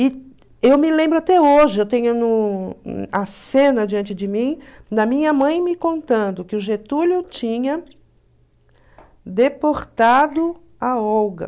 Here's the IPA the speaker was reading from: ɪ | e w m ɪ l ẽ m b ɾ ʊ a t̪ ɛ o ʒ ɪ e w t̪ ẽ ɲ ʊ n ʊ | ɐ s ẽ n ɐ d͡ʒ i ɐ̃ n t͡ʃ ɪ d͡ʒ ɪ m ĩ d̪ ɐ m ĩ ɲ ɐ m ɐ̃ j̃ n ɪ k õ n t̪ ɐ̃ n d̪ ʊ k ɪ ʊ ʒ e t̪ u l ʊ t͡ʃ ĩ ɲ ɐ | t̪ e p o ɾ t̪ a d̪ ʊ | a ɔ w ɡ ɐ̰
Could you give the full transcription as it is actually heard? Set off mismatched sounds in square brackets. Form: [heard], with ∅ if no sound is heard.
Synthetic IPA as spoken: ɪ | e w m ɪ l ẽ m b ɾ ʊ a t̪ ɛ o ʒ ɪ e w t̪ ẽ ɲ ʊ n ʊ | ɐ s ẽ n ɐ d͡ʒ i ɐ̃ n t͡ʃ ɪ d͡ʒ ɪ m ĩ d̪ ɐ m ĩ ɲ ɐ m ɐ̃ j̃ [m] ɪ k õ n t̪ ɐ̃ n d̪ ʊ k ɪ ʊ ʒ e t̪ u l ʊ t͡ʃ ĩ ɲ ɐ | [d̪] e p o ɾ t̪ a d̪ ʊ | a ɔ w ɡ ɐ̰